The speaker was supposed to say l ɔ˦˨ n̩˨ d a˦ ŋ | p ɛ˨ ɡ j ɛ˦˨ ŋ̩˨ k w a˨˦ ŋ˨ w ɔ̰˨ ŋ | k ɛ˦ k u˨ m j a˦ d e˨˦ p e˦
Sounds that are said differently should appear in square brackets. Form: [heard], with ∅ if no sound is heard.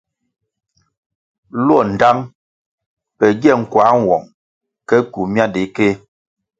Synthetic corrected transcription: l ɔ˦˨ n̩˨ d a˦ ŋ | p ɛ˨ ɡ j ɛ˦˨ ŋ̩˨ k w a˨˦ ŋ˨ w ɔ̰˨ ŋ | k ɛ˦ k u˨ m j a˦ d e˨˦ [k] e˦

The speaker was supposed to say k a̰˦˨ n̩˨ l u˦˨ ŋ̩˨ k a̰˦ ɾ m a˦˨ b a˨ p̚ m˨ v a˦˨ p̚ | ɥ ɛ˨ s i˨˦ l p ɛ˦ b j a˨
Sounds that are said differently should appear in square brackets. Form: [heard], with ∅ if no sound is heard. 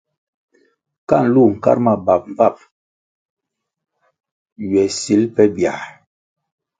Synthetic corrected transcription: k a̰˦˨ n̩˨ l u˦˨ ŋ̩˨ k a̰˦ ɾ m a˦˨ b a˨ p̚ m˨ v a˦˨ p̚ | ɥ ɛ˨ s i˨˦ l p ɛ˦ b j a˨

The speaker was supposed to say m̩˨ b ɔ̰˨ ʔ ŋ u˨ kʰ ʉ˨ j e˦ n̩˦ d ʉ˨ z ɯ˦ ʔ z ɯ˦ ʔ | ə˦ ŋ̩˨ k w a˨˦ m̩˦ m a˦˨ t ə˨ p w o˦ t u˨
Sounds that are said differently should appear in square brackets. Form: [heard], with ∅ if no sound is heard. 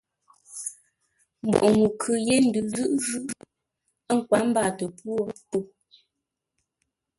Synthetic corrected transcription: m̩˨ b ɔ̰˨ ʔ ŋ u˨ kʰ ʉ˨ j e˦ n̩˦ d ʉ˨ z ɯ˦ ʔ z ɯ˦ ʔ | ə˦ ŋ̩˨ k w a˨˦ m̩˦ [b] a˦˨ t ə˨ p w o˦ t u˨

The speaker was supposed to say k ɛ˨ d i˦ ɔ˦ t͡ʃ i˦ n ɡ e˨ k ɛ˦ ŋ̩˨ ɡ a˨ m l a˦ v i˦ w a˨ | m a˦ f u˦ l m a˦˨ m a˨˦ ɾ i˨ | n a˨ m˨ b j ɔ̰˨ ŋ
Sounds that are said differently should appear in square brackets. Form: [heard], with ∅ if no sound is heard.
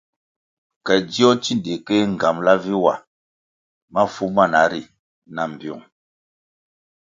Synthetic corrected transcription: k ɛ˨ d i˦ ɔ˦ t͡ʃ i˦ n [d] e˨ k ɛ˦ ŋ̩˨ ɡ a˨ m l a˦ v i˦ w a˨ | m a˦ f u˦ [∅] m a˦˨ [n] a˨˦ ɾ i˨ | n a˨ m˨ b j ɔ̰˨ ŋ

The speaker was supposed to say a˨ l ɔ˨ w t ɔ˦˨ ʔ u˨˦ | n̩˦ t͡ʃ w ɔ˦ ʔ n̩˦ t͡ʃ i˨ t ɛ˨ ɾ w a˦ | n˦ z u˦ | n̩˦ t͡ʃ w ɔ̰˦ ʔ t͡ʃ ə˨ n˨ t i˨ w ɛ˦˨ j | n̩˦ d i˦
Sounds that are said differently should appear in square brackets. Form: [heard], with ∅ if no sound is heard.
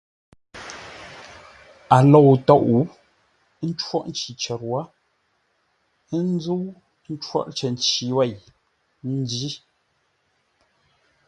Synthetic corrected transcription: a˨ l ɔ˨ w t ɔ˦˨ ʔ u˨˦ | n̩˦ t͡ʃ w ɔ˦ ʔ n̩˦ t͡ʃ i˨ [t͡ʃ] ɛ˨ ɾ w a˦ | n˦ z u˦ | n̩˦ t͡ʃ w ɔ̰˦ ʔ t͡ʃ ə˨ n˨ [t͡ʃ] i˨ w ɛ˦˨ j | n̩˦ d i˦

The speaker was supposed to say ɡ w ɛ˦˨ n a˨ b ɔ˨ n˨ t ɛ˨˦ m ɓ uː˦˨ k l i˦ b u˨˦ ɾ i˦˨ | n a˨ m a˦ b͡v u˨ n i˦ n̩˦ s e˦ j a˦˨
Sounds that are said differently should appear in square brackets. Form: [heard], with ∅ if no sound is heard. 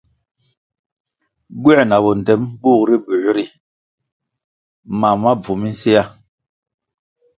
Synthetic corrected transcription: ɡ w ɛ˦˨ n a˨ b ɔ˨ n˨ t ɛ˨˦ m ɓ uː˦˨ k [ɾ] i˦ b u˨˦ ɾ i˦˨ | [m] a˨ m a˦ b͡v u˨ [m] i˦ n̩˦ s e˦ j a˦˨

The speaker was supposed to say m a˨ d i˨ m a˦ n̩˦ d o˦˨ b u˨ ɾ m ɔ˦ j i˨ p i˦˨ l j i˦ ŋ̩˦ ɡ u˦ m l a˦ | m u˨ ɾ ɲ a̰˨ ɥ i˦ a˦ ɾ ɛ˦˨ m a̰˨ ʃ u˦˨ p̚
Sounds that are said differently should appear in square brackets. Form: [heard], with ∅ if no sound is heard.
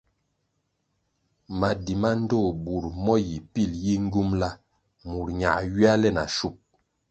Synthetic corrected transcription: m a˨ d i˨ m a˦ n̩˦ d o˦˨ b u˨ ɾ m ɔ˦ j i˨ p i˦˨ l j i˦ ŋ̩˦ ɡ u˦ m l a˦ | m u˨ ɾ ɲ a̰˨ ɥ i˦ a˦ [l] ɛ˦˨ [n] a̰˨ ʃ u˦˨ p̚

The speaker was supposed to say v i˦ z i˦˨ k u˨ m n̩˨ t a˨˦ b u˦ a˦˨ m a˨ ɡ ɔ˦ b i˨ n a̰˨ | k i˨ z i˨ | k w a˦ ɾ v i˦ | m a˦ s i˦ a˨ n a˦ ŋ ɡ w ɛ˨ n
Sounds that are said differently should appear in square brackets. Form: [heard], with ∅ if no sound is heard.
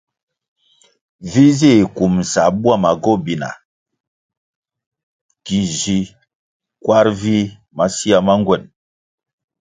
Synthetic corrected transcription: v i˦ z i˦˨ k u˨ m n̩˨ [s] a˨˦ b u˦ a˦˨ m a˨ ɡ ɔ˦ b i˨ n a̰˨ | k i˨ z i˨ | k w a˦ ɾ v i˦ | m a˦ s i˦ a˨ [m] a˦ ŋ ɡ w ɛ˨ n

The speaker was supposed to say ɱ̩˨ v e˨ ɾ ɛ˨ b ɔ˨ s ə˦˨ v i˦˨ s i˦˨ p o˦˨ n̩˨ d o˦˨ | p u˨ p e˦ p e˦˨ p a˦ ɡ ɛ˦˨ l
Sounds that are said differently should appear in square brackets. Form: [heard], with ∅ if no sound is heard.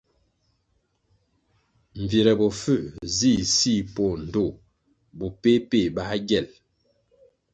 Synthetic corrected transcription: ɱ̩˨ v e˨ ɾ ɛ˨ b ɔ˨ [f] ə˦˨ [z] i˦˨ s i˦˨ p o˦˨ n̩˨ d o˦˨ | [b] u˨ p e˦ p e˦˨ [b] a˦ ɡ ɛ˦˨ l

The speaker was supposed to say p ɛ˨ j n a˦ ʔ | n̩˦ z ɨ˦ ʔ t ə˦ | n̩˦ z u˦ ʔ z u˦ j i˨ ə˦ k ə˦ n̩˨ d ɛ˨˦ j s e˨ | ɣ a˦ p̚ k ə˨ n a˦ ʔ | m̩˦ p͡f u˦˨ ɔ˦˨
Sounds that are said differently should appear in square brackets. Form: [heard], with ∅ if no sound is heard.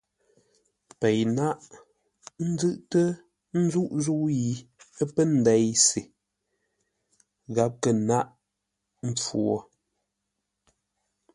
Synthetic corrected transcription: p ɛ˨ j n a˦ ʔ | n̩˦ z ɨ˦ ʔ t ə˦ | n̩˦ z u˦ ʔ z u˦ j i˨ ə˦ [p] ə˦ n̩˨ d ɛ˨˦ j s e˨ | ɣ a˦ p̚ k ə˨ n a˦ ʔ | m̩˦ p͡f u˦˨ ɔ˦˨

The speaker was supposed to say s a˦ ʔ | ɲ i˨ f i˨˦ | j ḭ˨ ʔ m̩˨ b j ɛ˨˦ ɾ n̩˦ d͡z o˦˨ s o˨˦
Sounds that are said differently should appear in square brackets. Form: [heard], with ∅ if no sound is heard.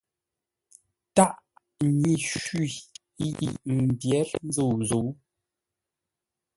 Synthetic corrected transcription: [t] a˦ ʔ | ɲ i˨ [ʃ] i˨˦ | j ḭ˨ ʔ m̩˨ b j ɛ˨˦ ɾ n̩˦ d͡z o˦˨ [z] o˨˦

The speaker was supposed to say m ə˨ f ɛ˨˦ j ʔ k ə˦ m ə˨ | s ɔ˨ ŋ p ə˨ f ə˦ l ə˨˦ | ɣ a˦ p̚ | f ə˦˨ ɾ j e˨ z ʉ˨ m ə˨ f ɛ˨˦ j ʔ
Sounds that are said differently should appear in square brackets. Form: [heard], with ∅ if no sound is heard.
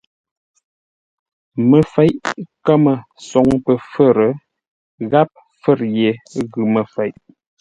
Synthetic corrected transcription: m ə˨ f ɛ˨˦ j ʔ k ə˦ m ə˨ | s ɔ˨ ŋ p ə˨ f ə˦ [ɾ] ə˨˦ | ɣ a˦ p̚ | f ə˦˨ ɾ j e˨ [ɣ] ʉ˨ m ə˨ f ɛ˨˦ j ʔ

